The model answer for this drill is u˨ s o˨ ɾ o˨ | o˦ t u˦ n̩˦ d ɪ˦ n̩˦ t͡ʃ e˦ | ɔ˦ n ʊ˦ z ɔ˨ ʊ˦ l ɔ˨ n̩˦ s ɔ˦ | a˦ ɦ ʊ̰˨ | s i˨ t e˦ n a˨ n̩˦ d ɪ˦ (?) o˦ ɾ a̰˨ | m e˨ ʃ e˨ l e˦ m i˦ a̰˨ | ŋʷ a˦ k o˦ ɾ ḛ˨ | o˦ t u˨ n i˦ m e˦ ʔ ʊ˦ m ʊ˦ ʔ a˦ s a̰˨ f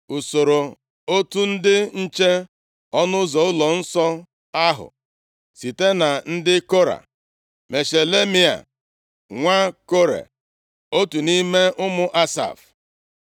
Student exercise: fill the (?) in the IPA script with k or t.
k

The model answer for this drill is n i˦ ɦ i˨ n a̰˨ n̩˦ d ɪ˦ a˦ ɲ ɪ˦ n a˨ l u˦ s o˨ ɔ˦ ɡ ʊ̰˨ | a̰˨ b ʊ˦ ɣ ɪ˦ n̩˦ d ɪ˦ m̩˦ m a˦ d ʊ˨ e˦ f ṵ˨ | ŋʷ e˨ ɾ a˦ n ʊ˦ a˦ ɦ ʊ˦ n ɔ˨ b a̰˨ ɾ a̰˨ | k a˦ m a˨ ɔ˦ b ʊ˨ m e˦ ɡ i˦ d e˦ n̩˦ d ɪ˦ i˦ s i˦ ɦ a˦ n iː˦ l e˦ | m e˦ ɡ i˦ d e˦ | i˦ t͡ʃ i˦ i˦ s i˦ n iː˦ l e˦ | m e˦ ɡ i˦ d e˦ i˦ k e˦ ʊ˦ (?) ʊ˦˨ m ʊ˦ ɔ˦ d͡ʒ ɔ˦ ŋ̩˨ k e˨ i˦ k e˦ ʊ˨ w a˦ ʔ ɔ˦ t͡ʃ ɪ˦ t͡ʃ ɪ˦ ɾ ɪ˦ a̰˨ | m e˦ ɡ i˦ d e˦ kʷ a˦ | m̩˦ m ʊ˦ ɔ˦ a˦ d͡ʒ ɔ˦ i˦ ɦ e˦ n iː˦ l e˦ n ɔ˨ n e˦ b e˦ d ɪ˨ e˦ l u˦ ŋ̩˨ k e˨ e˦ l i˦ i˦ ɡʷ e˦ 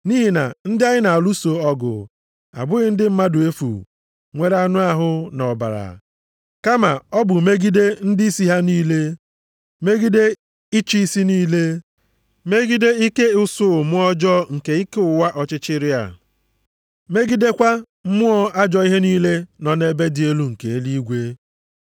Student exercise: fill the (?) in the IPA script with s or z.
s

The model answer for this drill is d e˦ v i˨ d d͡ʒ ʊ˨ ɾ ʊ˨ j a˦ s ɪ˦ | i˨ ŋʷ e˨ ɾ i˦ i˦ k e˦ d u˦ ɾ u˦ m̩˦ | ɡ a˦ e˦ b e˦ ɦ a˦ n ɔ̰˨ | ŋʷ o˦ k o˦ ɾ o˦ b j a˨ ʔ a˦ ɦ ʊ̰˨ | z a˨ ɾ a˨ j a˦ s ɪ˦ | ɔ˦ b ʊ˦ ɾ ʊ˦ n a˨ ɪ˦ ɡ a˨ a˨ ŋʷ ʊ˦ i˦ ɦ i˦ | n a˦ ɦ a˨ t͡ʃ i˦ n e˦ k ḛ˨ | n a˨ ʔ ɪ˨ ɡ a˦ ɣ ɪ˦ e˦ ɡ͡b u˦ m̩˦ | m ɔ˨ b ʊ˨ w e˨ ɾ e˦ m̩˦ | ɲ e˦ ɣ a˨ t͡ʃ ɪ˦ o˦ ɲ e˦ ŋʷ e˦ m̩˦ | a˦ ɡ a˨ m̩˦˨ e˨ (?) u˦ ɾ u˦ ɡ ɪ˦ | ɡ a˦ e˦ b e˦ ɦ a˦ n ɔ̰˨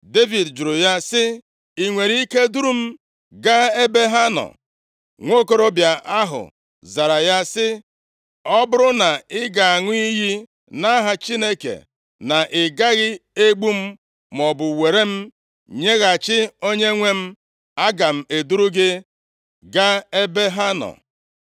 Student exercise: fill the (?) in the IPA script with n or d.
d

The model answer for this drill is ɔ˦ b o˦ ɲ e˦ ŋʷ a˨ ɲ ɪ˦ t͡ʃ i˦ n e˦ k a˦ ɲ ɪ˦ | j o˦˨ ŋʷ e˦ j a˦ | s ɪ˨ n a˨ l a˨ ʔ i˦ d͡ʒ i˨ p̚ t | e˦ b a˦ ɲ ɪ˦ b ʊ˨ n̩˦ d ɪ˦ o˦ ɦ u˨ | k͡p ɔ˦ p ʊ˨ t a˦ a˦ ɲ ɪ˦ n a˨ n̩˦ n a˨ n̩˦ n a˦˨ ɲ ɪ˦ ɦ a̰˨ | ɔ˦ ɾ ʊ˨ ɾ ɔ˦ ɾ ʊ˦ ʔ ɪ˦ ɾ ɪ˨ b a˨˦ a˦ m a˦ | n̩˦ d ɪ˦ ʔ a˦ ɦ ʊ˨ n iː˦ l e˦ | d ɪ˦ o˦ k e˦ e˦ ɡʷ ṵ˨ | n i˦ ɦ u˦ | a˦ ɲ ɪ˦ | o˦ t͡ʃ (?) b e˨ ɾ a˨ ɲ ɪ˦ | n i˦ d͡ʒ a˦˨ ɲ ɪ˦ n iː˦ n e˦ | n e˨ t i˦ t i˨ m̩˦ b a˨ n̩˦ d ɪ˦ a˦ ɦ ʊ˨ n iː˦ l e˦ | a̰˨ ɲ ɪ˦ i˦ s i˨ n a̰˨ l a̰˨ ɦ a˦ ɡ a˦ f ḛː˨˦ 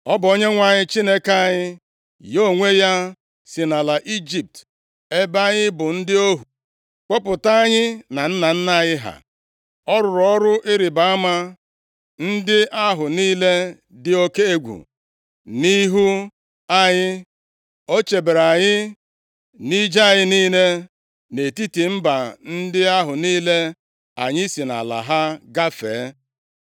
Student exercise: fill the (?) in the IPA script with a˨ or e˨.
e˨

